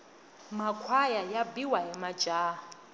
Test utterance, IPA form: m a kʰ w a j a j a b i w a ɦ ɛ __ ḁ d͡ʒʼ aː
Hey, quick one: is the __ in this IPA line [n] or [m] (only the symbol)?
m